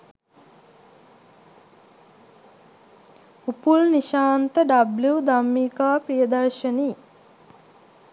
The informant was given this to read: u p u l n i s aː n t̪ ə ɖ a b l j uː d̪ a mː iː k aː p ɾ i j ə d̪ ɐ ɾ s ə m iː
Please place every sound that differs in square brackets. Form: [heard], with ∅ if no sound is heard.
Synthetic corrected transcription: u p u l n i [ʃ] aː n t̪ ə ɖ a b l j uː d̪ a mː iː k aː p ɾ i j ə d̪ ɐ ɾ [ʃ] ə [n] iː